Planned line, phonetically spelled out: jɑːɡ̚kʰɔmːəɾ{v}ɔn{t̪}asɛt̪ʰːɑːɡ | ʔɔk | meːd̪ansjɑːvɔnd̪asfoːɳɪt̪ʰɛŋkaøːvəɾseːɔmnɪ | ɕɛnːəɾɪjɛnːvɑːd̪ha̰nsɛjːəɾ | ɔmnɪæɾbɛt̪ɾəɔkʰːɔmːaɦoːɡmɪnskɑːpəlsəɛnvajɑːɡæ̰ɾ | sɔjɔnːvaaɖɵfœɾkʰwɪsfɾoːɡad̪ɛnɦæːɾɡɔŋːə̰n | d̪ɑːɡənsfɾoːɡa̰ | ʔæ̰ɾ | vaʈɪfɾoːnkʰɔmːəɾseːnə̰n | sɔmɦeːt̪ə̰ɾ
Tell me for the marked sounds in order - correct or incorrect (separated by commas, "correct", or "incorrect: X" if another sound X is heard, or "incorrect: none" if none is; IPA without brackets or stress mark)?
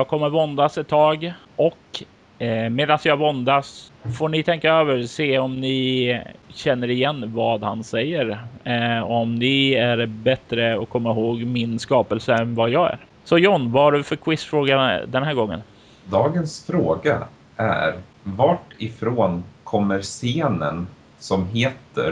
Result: correct, incorrect: d̪